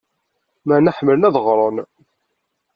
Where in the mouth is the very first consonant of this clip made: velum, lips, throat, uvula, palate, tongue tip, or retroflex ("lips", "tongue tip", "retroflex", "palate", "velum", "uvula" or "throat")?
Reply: lips